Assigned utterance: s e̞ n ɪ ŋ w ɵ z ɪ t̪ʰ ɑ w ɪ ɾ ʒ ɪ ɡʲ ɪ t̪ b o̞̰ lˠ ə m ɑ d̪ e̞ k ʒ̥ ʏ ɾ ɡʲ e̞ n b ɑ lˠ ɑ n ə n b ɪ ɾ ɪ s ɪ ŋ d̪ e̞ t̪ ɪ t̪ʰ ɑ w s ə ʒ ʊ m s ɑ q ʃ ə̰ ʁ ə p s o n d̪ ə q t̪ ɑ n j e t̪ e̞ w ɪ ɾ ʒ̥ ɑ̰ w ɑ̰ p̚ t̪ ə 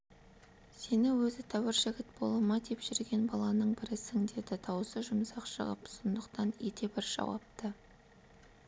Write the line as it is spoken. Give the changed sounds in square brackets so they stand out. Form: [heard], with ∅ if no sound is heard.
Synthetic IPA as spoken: s e̞ n ɪ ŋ w ɵ z ɪ t̪ʰ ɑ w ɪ ɾ ʒ ɪ ɡʲ ɪ t̪ b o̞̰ lˠ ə m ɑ d̪ e̞ [p] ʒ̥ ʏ ɾ ɡʲ e̞ n b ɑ lˠ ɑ n ə [ɴ] b ɪ ɾ ɪ s ɪ ŋ d̪ e̞ [d̪] ɪ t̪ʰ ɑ w s ə ʒ ʊ m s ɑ q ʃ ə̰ ʁ ə p s o n d̪ ə q t̪ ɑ n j e t̪ e̞ [b] ɪ ɾ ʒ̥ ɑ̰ w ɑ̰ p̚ t̪ ə

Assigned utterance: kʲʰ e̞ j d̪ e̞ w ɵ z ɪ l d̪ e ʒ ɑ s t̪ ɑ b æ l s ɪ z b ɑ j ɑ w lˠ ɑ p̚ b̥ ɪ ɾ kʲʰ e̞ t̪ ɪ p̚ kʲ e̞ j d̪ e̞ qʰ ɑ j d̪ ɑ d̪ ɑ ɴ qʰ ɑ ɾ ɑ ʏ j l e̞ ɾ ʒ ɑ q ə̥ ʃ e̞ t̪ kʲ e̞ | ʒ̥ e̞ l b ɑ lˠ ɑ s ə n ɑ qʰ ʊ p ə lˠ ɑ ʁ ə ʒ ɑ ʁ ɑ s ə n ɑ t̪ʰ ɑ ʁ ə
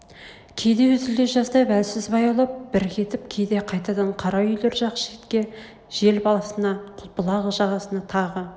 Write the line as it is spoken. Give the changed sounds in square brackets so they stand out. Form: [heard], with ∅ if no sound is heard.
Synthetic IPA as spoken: kʲʰ e̞ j d̪ e̞ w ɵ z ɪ l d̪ e ʒ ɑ s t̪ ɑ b æ l s ɪ z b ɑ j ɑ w lˠ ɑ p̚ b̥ ɪ ɾ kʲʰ e̞ t̪ ɪ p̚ [kʲʰ] e̞ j d̪ e̞ qʰ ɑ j [t̪] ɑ d̪ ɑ ɴ qʰ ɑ ɾ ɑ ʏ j l e̞ ɾ ʒ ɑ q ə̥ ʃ e̞ t̪ kʲ e̞ | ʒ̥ e̞ l b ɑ lˠ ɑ s ə n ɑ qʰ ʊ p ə lˠ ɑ ʁ ə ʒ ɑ ʁ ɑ s ə n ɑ t̪ʰ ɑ ʁ ə

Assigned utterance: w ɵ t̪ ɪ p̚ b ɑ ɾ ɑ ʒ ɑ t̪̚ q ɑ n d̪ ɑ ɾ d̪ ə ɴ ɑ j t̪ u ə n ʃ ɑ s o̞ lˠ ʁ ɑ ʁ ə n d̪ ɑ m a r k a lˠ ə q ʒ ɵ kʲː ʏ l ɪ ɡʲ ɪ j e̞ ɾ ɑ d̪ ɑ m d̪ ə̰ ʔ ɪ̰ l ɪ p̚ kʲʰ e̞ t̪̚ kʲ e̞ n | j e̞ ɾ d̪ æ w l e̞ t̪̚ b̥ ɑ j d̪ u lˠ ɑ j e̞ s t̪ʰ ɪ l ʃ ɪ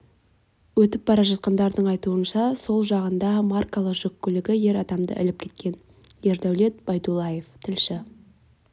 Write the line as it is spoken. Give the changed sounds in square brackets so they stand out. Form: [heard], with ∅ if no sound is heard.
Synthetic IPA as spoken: w ɵ t̪ ɪ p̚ b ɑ ɾ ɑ ʒ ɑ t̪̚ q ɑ n d̪ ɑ ɾ d̪ ə ɴ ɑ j t̪ u ə n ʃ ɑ s o̞ lˠ [ʒ] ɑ ʁ ə n d̪ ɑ m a r k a lˠ ə q ʒ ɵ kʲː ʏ l ɪ ɡʲ ɪ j e̞ ɾ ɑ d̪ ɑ m d̪ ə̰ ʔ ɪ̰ l ɪ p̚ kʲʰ e̞ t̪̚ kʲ e̞ n | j e̞ ɾ d̪ æ w l e̞ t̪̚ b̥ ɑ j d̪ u lˠ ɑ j e̞ [f] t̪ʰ ɪ l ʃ ɪ

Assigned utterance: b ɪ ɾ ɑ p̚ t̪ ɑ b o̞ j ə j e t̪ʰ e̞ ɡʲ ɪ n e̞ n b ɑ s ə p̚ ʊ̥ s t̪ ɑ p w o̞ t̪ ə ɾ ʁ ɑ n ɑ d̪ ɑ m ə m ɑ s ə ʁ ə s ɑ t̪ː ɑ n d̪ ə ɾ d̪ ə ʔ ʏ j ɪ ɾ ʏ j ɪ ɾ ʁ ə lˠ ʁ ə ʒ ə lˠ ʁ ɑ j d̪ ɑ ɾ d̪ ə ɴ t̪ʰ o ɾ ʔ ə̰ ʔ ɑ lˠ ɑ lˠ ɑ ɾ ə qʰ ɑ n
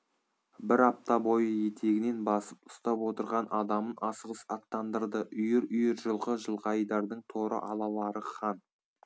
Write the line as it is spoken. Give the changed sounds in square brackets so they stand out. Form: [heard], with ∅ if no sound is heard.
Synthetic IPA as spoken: b ɪ ɾ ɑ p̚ t̪ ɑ b o̞ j ə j e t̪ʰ e̞ ɡʲ ɪ n e̞ n b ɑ s ə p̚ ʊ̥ s t̪ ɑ p w o̞ t̪ ə ɾ ʁ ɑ n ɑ d̪ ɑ m ə [n] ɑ s ə ʁ ə s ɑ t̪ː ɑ n d̪ ə ɾ d̪ ə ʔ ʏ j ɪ ɾ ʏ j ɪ ɾ [ʒ] ə lˠ ʁ ə ʒ ə lˠ ʁ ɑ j d̪ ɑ ɾ d̪ ə ɴ t̪ʰ o ɾ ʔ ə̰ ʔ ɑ lˠ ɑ lˠ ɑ ɾ ə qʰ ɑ n

